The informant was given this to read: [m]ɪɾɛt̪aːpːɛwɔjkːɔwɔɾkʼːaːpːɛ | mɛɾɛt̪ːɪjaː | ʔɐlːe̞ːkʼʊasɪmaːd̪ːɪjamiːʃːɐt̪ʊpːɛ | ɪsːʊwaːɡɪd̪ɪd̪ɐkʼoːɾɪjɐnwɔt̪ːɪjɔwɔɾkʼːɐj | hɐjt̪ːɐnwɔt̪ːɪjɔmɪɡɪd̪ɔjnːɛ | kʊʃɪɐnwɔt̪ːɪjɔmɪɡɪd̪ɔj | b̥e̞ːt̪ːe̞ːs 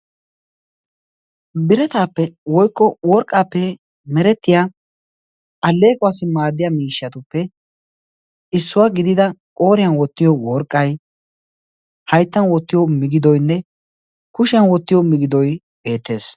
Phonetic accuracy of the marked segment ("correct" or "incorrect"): incorrect